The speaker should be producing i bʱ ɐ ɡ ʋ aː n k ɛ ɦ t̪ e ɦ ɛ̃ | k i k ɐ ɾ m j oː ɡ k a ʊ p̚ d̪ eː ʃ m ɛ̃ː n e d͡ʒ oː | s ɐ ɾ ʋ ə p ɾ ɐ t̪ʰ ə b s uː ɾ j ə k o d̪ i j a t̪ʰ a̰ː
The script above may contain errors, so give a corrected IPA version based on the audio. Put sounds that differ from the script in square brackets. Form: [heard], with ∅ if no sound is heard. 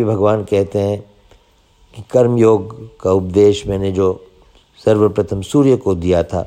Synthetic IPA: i bʱ ɐ ɡ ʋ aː n k ɛ ɦ t̪ e ɦ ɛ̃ | k i k ɐ ɾ m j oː ɡ k a ʊ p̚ d̪ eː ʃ m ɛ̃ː n e d͡ʒ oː | s ɐ ɾ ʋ ə p ɾ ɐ t̪ʰ ə [m] s uː ɾ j ə k o d̪ i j a t̪ʰ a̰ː